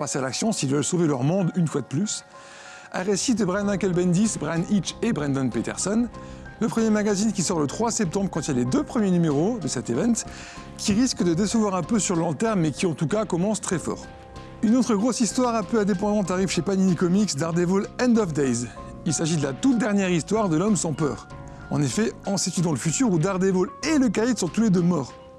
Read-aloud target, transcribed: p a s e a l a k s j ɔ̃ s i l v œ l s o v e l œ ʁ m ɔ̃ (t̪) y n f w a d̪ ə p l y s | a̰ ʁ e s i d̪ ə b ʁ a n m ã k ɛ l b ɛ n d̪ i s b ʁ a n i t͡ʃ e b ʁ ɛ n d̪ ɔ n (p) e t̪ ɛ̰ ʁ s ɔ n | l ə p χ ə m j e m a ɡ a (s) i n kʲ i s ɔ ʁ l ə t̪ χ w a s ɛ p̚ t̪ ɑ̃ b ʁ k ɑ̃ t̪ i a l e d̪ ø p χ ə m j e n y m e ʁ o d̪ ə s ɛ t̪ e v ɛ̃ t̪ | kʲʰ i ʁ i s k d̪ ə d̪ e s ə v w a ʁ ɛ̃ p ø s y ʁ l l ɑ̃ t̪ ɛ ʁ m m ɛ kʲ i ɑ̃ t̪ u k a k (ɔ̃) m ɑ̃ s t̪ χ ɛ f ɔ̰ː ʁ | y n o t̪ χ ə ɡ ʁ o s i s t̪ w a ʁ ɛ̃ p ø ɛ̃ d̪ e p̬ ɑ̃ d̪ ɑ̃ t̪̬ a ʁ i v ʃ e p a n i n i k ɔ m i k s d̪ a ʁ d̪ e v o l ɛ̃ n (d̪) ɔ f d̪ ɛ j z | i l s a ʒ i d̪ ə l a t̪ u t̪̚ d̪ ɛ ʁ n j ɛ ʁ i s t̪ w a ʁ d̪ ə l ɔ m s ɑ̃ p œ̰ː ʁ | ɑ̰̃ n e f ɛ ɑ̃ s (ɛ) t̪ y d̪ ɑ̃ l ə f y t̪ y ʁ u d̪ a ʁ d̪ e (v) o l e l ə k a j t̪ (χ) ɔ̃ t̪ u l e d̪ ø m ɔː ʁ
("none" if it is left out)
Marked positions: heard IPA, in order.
d̪, p, z, ɔ, d̪, e, v, s

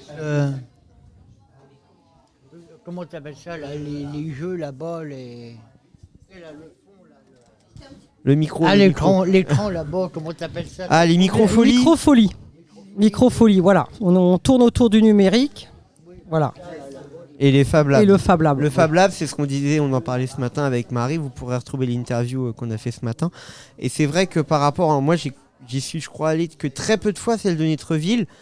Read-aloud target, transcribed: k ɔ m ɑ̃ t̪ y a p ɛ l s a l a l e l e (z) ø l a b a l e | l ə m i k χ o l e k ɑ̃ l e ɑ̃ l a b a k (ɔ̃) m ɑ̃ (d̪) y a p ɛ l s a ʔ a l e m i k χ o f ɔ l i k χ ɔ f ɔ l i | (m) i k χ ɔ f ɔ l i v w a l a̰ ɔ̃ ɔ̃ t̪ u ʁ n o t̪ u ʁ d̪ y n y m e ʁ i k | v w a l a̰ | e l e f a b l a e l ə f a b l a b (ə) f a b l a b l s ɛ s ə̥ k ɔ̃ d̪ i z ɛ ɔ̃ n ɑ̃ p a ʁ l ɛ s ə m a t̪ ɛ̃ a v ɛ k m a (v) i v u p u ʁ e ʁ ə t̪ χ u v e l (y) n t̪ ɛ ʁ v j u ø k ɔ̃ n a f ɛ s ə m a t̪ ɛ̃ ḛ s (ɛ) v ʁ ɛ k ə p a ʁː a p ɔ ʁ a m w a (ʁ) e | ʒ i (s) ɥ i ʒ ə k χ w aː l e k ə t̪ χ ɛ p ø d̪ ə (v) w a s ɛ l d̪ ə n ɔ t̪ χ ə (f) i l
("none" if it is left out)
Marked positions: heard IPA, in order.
ʒ, ɔ, t̪, m, ə, ʁ, i, ɛ, ʒ, s, f, v

